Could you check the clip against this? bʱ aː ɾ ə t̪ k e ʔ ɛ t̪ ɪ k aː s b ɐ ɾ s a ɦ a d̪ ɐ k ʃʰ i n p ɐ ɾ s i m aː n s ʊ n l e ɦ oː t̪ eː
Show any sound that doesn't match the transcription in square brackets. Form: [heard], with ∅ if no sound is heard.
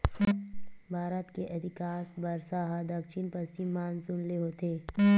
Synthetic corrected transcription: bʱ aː ɾ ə t̪ k e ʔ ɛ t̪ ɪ k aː s b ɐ ɾ s a ɦ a d̪ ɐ k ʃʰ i n p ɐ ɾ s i m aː n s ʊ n l e ɦ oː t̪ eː